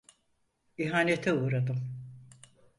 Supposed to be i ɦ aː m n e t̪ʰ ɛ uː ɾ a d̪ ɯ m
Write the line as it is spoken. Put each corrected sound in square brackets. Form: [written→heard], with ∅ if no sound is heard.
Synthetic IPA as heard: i ɦ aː [m→∅] n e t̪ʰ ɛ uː ɾ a d̪ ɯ m